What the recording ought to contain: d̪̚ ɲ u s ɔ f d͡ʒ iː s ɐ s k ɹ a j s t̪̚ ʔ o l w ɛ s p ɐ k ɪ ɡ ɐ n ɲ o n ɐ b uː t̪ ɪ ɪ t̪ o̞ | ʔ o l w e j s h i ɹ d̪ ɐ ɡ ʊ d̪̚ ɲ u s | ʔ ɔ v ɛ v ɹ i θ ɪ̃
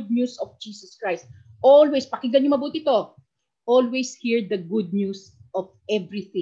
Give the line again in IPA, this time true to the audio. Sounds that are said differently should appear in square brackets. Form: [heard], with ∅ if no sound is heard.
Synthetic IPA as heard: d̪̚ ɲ u s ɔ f d͡ʒ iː s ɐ s k ɹ a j s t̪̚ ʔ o l w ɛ s p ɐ k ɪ ɡ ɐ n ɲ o [m] ɐ b uː t̪ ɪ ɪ t̪ o̞ | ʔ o l w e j s h i ɹ d̪ ɐ ɡ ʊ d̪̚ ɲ u s | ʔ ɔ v ɛ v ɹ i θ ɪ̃